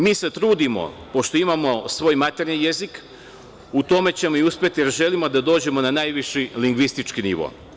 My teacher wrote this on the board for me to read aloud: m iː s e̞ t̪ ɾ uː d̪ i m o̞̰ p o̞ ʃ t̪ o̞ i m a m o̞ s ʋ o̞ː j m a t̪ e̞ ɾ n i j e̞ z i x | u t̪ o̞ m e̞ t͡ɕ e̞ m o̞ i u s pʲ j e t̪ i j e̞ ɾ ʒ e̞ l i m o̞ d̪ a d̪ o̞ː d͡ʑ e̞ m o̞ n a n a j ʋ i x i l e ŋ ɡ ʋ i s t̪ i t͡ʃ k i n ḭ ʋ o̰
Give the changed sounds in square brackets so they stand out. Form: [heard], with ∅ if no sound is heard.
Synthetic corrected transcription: m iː s e̞ t̪ ɾ uː d̪ i m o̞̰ p o̞ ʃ t̪ o̞ i m a m o̞ s ʋ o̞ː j m a t̪ e̞ ɾ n i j e̞ z i [k] | u t̪ o̞ m e̞ t͡ɕ e̞ m o̞ i u s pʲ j e t̪ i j e̞ ɾ ʒ e̞ l i m o̞ d̪ a d̪ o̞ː d͡ʑ e̞ m o̞ n a n a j ʋ i [ʃ] i l [i] ŋ ɡ ʋ i s t̪ i t͡ʃ k i n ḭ ʋ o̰